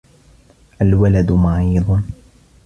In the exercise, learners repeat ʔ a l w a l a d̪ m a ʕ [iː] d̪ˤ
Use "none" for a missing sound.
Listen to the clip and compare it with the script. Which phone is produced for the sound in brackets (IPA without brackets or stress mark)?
iː